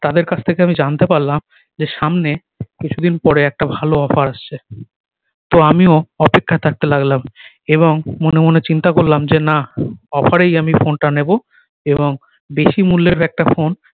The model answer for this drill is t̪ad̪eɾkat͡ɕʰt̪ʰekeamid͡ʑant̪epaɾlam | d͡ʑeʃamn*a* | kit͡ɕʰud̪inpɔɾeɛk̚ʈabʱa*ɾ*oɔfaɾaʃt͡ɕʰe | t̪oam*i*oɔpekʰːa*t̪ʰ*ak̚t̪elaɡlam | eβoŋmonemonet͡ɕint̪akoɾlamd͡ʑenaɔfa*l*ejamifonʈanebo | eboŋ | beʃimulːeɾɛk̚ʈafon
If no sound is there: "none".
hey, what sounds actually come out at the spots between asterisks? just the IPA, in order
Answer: e, l, i, t̪ʰ, ɾ

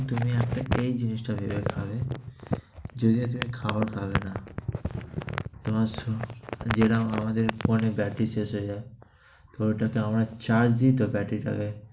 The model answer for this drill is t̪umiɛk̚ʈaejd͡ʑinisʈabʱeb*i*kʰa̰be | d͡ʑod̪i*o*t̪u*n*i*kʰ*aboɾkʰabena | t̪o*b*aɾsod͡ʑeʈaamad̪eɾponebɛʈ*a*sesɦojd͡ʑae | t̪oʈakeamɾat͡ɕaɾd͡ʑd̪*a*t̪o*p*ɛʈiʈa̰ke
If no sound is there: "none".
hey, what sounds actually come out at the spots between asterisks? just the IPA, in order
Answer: e, o, m, kʰ, m, i, i, b

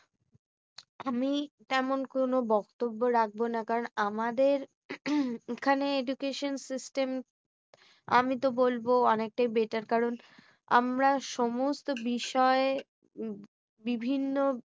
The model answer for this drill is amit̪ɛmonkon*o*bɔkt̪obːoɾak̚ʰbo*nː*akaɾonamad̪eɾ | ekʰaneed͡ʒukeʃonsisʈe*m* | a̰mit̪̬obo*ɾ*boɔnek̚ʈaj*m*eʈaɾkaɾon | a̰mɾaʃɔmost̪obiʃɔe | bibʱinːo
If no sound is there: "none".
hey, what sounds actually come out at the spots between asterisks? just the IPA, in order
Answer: o, n, m, l, b

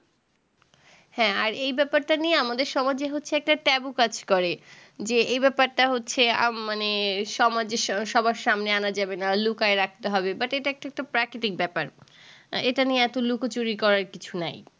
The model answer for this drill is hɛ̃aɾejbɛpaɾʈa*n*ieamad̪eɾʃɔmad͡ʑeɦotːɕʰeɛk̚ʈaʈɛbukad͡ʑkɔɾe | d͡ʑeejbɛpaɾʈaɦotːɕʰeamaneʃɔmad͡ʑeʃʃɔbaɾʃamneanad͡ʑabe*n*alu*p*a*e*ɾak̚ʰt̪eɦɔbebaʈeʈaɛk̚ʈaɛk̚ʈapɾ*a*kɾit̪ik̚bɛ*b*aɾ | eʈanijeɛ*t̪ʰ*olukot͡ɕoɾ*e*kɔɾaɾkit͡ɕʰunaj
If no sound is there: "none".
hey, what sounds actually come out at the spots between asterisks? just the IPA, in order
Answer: n, n, k, e, a, p, t̪, i

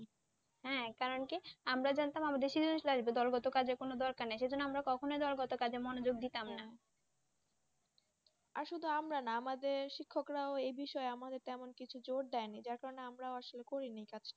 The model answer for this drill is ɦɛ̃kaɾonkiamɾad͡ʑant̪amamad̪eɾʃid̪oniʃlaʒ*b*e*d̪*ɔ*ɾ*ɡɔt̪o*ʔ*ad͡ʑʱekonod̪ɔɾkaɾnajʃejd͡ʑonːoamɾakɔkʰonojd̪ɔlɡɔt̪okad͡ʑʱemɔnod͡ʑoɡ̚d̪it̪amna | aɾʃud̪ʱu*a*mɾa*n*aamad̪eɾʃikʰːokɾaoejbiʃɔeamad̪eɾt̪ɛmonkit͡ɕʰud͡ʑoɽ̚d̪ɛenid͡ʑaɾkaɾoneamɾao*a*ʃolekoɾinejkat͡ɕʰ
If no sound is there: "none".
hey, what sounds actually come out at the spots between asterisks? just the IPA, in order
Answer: b, d̪, l, k, a, n, a

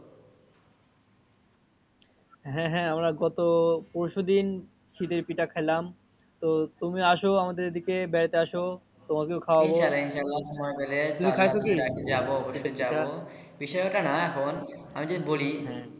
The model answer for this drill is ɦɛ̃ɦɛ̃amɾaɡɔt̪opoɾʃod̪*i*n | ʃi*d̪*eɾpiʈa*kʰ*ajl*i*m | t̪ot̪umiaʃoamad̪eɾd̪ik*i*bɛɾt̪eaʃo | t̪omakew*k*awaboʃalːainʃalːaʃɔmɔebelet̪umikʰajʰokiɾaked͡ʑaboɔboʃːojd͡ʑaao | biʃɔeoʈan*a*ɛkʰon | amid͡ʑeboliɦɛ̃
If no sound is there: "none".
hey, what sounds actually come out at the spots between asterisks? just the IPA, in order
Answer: i, t̪, kʰ, a, e, kʰ, a

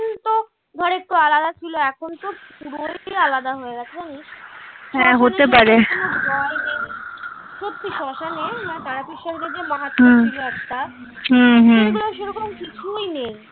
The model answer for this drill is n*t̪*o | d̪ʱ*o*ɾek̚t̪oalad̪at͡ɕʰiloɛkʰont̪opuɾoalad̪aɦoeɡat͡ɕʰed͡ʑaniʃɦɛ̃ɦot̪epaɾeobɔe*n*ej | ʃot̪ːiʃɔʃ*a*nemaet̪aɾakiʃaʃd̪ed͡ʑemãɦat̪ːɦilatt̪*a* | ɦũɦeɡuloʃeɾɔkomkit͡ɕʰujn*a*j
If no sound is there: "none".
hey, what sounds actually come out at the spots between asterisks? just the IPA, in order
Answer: t̪, ɔ, n, a, a, e

